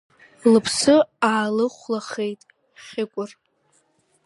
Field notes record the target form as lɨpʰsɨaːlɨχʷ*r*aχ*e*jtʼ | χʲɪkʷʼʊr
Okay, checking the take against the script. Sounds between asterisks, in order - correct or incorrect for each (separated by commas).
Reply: incorrect, correct